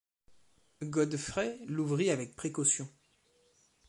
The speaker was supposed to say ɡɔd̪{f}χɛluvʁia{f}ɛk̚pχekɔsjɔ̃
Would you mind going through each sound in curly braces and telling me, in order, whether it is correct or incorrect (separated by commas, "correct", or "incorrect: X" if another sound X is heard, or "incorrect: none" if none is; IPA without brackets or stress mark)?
correct, incorrect: v